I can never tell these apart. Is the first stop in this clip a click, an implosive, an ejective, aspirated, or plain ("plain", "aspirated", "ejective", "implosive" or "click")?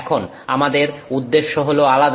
aspirated